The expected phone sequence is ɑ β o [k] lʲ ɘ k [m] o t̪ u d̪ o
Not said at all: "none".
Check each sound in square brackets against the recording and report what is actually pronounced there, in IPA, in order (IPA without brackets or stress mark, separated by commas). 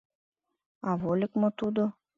none, m